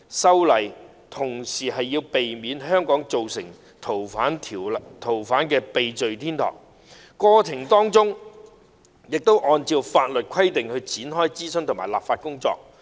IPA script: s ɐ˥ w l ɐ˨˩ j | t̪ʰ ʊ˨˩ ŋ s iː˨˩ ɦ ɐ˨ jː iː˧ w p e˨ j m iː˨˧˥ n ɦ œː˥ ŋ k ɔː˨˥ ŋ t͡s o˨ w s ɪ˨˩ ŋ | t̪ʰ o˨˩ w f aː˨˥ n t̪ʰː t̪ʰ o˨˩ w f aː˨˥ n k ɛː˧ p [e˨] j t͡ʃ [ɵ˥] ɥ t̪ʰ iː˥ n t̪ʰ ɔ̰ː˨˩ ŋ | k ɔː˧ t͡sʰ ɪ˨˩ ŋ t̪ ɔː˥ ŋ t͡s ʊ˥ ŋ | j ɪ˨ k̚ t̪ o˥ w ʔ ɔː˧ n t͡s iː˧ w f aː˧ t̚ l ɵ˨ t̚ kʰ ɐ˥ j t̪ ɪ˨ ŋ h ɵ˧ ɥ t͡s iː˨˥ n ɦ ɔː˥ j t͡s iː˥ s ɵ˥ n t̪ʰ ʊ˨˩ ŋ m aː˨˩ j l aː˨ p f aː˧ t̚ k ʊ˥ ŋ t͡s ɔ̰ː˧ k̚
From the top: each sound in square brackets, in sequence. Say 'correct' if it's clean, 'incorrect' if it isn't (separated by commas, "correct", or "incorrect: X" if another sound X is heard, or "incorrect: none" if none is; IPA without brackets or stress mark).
correct, incorrect: ɵ˨